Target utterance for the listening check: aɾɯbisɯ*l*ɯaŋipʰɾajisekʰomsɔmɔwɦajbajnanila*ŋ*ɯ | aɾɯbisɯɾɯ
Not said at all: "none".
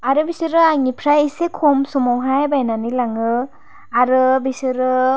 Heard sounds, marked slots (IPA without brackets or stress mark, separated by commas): ɾ, ŋ